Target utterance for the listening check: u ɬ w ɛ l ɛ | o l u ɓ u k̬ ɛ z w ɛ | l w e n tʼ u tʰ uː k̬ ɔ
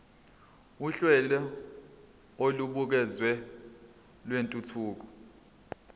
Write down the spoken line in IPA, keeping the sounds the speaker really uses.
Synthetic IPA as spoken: u ɬ w ɛ l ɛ | o l u ɓ u k̬ ɛ z w ɛ | l w e n tʼ u tʰ uː k̬ ɔ